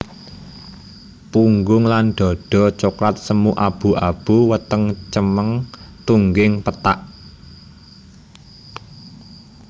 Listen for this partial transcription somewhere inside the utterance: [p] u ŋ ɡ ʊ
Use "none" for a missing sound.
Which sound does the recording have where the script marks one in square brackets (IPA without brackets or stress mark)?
p